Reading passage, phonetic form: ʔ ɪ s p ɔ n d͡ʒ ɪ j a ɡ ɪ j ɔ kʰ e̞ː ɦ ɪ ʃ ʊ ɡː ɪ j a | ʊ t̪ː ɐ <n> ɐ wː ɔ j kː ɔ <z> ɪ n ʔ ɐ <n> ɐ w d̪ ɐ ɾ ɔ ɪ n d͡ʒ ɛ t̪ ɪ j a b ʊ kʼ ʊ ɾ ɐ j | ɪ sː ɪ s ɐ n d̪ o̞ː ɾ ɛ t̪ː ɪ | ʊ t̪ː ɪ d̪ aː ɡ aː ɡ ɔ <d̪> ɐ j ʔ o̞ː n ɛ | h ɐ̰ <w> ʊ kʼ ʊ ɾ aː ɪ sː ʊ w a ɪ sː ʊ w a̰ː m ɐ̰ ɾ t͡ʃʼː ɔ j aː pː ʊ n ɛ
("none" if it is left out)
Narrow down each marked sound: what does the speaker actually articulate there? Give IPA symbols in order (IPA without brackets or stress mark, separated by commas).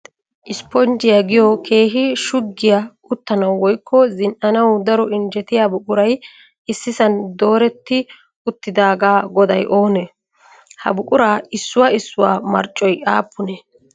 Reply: n, z, n, d̪, b